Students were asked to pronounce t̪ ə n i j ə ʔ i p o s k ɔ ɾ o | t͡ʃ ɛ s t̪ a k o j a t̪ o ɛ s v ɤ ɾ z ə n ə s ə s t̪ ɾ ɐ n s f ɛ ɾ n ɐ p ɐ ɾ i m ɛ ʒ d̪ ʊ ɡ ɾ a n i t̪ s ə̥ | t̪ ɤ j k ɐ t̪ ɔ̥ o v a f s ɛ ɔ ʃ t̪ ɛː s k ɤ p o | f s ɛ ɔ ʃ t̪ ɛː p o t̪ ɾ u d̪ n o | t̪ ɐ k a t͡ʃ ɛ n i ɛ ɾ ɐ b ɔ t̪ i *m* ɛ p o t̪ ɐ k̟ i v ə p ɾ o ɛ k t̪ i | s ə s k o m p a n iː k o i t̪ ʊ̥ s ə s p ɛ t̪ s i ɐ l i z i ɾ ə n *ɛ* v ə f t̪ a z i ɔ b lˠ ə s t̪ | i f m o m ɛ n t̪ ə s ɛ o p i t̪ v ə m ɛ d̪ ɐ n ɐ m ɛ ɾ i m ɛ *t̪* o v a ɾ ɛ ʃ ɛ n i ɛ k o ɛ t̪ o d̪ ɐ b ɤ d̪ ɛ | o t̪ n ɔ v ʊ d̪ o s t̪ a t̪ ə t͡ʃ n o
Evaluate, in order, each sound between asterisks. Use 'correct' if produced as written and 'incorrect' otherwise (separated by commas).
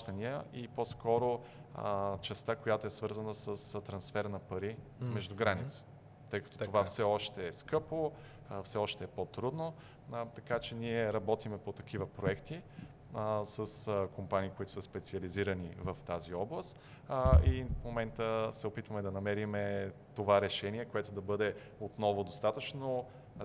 correct, incorrect, correct